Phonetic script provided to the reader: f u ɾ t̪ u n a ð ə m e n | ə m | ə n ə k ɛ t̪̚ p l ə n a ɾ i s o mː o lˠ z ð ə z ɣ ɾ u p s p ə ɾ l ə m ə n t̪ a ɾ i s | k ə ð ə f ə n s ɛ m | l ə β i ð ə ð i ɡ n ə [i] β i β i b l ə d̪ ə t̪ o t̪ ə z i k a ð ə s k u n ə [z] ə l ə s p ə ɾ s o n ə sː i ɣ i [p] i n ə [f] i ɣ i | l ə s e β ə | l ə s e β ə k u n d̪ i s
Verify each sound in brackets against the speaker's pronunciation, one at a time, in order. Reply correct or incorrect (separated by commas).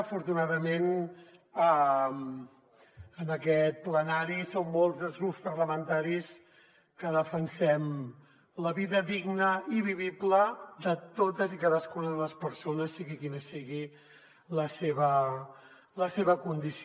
correct, incorrect, incorrect, incorrect